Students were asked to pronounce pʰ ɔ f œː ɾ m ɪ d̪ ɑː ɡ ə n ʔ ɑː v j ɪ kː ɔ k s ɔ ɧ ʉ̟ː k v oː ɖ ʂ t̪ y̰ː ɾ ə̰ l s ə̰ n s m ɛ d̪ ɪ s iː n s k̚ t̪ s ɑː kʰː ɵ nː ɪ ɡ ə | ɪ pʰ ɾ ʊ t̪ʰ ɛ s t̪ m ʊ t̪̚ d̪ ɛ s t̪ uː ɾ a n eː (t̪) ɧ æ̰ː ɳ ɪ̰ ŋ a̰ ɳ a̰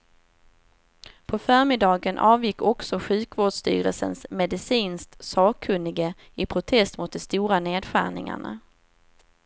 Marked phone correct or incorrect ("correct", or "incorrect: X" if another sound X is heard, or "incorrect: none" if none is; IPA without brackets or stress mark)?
incorrect: d̪